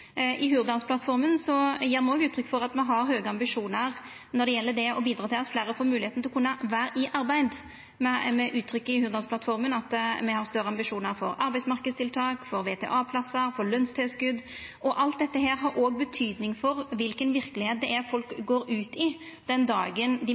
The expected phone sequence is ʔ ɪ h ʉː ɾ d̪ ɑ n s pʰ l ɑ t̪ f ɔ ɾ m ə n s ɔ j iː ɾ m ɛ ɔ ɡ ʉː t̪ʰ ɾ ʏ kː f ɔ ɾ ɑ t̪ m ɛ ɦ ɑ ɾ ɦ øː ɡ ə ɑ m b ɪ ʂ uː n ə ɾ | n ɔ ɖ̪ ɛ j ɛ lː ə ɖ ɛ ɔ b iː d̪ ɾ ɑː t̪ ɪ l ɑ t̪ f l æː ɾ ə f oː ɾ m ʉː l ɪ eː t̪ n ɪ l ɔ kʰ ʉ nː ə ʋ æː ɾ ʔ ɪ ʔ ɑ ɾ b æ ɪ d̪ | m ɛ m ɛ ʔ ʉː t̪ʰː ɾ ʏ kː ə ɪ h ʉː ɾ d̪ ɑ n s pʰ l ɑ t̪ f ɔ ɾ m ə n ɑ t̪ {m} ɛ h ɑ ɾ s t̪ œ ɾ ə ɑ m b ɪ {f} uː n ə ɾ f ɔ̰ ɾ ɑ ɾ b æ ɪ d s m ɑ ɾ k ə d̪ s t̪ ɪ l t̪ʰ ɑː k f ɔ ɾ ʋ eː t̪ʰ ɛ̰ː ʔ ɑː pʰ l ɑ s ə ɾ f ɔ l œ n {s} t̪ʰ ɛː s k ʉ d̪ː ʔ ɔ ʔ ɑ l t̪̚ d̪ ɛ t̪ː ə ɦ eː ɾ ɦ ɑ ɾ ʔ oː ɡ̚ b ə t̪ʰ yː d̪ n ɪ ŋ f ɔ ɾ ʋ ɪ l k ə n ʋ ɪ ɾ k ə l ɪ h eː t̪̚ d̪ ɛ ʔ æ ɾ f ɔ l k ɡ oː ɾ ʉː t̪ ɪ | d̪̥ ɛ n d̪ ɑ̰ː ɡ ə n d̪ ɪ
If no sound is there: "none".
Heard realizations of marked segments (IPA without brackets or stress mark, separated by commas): m, ʂ, s